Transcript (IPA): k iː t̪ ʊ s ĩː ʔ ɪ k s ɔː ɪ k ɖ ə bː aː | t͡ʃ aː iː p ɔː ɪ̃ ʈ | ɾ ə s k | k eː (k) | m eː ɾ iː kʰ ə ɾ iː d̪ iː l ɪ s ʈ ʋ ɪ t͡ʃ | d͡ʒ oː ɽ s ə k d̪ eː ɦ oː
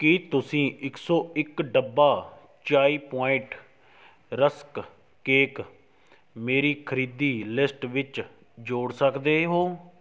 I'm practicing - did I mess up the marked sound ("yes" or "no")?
no